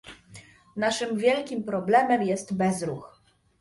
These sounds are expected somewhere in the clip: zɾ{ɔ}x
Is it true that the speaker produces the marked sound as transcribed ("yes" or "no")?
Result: no